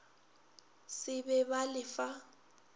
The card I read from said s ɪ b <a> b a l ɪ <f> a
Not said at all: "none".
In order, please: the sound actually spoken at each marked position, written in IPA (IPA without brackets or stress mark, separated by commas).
ɛ, f